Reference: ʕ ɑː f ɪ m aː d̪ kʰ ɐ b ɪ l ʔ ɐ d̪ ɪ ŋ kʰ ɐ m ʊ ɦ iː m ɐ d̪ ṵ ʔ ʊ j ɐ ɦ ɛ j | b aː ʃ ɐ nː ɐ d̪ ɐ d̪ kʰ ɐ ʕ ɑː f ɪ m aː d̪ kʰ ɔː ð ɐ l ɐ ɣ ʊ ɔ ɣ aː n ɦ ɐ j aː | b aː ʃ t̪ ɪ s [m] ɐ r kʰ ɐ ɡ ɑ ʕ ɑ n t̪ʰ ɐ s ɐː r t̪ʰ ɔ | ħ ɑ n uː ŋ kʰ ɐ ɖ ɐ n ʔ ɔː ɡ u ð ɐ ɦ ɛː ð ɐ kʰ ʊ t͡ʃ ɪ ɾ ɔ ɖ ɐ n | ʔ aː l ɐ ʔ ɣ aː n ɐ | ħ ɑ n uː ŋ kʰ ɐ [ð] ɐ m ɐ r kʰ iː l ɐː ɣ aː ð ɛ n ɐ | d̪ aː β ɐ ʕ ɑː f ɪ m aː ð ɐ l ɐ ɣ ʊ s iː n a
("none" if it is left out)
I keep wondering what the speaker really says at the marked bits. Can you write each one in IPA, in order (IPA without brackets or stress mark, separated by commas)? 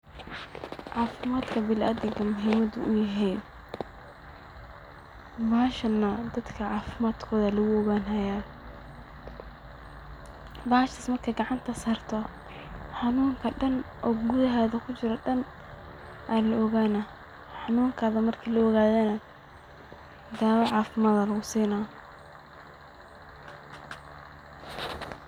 m, ð